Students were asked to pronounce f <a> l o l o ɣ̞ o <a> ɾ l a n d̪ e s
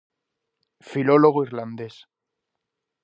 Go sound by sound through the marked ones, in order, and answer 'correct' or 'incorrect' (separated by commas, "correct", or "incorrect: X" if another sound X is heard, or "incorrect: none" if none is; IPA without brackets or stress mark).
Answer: incorrect: i, incorrect: i